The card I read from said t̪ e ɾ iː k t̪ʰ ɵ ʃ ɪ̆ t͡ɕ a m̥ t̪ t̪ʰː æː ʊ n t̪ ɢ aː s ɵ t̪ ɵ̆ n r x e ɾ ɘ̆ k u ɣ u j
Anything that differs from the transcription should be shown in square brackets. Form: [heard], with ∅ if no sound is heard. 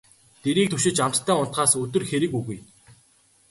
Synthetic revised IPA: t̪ e ɾ iː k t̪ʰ ɵ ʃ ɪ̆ t͡ɕ a m̥ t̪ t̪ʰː æː ʊ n t̪ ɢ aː s ɵ t̪ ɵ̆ [∅] r x e ɾ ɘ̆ k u ɣ u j